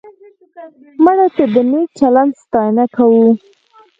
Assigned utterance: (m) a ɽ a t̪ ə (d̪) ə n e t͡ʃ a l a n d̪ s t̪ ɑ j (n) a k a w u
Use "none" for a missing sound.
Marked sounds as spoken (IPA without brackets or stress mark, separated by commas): m, d̪, n